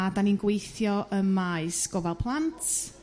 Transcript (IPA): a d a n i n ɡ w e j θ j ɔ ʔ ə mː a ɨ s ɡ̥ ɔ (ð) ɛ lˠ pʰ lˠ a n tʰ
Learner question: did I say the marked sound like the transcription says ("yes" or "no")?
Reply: no